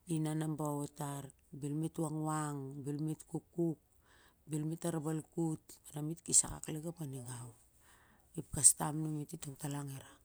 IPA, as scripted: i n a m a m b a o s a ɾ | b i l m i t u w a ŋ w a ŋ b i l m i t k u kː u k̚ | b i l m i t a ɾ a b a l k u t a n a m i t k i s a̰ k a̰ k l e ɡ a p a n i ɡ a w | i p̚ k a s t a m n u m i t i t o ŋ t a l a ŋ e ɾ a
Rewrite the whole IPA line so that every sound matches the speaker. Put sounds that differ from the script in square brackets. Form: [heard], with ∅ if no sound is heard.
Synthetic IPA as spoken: i n a [n] a m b a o [t] a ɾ | b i l m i t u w a ŋ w a ŋ b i l m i t k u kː u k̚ | b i l m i t a ɾ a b a l k u t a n a m i t k i s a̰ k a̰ k l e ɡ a p a n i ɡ a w | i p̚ k a s t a m n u m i t i t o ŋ t a l a ŋ e ɾ a